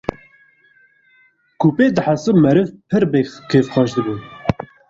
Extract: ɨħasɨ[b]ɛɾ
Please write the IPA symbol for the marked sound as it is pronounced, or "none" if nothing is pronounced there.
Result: m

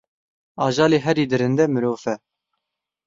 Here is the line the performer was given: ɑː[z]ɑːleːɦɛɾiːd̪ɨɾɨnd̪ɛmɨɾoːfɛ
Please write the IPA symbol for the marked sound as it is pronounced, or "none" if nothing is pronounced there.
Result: ʒ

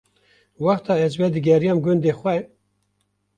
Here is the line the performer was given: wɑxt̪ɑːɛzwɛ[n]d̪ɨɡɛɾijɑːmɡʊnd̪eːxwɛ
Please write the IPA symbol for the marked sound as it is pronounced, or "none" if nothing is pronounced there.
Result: none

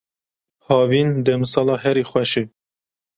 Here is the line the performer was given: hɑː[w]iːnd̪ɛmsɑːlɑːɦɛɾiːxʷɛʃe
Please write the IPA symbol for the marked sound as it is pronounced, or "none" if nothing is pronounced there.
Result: v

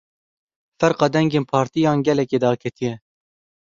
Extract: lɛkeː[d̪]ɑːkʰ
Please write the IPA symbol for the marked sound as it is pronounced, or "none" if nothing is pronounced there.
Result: d̪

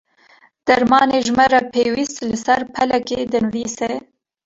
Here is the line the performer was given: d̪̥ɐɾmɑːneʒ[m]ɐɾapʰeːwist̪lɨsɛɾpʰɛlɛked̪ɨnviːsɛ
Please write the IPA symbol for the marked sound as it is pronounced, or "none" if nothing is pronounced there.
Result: m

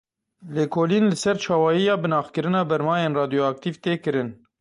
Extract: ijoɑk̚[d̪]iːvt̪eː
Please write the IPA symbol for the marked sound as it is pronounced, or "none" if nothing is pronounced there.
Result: t̪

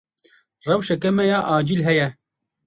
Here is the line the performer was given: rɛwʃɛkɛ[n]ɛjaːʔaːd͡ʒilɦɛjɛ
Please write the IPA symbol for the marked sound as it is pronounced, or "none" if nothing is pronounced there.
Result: m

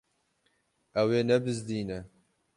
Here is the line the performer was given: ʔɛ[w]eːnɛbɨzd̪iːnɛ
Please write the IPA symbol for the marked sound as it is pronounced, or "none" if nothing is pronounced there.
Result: w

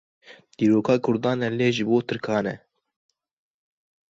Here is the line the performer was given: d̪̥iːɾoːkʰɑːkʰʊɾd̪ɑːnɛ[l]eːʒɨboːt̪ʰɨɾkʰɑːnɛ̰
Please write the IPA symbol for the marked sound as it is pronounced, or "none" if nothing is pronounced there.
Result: l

